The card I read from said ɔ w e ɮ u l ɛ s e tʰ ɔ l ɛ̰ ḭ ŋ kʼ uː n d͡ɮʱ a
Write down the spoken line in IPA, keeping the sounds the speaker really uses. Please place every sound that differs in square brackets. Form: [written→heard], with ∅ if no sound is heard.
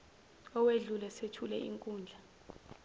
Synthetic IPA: ɔ w e ɮ u l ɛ s e tʰ [ɔ→u] l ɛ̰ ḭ ŋ kʼ uː n d͡ɮʱ a